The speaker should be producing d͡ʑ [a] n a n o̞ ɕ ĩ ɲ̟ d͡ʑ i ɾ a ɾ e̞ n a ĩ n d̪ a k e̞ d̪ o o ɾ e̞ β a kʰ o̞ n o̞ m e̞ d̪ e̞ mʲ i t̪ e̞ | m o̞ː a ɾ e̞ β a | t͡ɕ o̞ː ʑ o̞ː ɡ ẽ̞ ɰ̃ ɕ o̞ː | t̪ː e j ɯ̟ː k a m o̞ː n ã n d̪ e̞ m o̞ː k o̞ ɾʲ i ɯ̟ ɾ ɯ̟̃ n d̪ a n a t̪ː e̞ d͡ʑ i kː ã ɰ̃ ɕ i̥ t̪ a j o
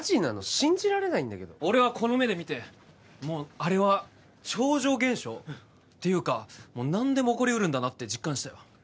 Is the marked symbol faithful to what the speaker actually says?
no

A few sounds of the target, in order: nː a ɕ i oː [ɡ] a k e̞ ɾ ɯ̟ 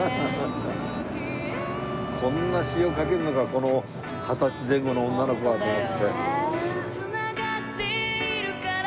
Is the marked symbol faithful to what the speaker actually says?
no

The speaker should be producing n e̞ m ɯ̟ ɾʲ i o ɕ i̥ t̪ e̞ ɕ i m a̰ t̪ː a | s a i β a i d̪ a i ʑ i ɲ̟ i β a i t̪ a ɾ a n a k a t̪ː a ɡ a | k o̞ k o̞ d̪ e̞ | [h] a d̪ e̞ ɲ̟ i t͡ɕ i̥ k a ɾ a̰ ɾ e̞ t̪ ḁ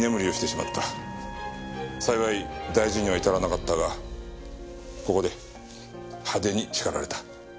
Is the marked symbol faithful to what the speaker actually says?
yes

